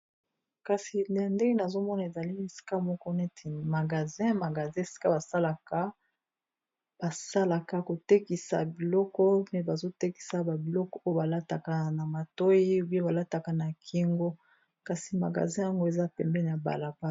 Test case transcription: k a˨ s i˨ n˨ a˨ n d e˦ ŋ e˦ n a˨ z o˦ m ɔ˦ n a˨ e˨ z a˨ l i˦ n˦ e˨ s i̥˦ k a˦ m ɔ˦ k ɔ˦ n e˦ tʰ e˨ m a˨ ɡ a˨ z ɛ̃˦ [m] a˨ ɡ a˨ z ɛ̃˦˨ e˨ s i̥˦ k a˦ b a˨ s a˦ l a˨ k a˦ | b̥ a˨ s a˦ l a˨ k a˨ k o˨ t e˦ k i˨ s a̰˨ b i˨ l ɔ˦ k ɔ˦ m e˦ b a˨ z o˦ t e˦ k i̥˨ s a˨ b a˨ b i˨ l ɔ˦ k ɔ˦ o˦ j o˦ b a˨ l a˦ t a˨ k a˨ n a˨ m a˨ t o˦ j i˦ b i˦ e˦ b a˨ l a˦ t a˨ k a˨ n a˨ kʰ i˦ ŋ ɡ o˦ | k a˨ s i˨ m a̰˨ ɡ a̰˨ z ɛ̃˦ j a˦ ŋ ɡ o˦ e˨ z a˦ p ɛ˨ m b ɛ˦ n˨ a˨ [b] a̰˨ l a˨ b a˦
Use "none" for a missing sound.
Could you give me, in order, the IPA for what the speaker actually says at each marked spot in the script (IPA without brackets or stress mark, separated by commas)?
m, b